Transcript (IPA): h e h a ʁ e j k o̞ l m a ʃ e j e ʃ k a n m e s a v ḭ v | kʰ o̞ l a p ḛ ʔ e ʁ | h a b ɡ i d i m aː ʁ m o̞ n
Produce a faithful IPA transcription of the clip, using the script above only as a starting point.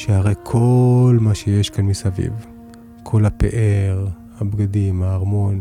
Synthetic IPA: ʃ e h a ʁ e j kʰ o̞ l m a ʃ e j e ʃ k a n m i s a v ḭ v | kʰ o̞ l a p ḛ ʔ e ʁ | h a b ɡ a d i m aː ʁ m o̞ n